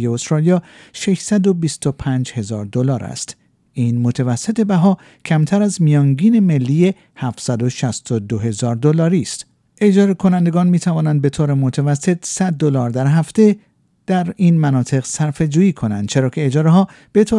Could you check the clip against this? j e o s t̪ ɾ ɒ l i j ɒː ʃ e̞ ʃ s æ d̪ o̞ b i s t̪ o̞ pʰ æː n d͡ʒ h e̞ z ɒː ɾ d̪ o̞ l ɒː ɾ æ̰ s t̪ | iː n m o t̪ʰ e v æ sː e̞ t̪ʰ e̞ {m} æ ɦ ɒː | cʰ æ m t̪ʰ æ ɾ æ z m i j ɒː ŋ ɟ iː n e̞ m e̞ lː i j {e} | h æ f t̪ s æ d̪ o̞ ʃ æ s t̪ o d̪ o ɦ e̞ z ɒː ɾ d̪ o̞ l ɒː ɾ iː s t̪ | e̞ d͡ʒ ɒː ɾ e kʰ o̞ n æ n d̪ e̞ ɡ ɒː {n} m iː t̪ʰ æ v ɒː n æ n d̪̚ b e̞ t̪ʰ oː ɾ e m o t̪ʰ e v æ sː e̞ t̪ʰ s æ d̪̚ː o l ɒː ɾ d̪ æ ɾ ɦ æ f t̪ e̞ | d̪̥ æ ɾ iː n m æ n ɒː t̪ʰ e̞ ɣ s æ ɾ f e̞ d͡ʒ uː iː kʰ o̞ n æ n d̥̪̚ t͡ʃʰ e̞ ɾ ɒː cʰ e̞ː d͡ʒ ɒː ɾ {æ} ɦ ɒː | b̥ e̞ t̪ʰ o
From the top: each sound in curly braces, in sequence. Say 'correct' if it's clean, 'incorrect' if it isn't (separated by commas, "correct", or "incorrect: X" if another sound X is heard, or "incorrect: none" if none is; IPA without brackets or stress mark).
incorrect: b, correct, correct, incorrect: e